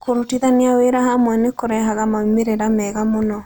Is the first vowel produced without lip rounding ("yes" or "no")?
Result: no